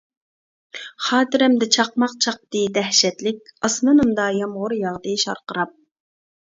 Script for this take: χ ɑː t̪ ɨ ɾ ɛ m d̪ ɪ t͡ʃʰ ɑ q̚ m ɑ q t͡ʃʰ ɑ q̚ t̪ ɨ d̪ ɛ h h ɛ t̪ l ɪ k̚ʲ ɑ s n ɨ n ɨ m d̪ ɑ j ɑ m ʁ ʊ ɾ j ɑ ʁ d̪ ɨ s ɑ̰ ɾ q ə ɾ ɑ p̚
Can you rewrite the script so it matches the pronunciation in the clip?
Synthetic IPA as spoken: χ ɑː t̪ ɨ ɾ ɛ m d̪ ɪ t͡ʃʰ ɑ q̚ m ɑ q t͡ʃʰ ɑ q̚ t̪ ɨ d̪ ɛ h ʃ ɛ t̪ l ɪ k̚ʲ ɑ s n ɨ n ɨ m d̪ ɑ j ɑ m ʁ ʊ ɾ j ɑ ʁ d̪ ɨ ʃ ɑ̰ ɾ q ə ɾ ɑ p̚